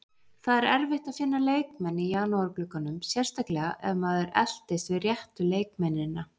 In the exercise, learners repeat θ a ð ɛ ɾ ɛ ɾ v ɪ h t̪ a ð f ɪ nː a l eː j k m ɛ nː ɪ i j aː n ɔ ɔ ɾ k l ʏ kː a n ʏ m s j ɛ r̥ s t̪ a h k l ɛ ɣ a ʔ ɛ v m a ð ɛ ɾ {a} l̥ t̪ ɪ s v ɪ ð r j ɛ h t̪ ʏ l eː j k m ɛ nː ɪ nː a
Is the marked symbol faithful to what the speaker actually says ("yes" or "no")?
no